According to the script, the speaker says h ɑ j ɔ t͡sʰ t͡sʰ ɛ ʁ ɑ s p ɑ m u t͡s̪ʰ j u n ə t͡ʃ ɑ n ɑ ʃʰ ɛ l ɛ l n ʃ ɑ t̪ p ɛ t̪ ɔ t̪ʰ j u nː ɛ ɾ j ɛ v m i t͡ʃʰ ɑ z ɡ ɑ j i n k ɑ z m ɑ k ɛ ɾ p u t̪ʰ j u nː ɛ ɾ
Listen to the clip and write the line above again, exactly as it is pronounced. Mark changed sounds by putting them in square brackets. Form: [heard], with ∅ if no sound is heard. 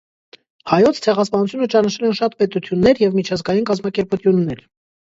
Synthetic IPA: h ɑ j ɔ t͡sʰ t͡sʰ ɛ ʁ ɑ s p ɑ [n] u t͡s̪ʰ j u n ə t͡ʃ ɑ n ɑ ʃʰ ɛ l ɛ [∅] n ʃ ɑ t̪ p ɛ t̪ [u] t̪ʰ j u nː ɛ ɾ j ɛ v m i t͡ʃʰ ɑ z ɡ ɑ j i n k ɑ z m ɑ k ɛ ɾ p u t̪ʰ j u nː ɛ ɾ